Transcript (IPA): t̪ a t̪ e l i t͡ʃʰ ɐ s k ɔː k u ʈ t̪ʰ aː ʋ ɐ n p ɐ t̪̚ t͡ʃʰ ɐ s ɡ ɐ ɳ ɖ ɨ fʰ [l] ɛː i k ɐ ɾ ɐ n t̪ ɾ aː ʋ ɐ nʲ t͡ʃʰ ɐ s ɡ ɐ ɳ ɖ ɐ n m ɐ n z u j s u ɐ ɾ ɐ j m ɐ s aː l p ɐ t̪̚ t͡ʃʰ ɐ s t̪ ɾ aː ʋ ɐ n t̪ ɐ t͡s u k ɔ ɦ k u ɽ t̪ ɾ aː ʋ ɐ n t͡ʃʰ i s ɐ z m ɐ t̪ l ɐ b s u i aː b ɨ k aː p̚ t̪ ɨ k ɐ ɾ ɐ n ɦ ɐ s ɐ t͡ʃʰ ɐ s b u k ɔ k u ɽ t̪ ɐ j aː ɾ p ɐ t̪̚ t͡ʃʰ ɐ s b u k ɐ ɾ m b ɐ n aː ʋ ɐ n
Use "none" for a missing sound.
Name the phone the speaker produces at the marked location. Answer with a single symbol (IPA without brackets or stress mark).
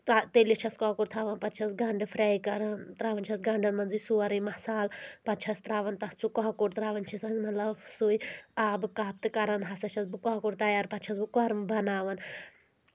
ɾ